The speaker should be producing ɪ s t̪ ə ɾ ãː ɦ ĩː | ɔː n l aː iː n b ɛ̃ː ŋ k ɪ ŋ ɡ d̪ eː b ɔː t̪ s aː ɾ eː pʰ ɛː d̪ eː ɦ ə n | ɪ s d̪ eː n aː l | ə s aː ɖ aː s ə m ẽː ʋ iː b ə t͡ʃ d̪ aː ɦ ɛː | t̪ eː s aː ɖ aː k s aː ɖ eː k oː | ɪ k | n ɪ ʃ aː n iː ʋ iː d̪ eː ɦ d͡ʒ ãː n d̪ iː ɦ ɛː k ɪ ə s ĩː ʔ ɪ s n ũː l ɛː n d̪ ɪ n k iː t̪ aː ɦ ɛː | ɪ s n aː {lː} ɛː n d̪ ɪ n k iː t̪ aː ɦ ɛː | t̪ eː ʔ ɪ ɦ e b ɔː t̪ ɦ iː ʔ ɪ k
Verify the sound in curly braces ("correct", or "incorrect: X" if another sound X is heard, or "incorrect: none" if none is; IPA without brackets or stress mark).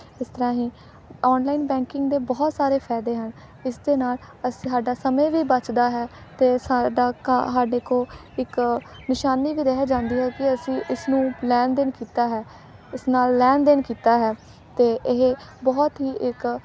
correct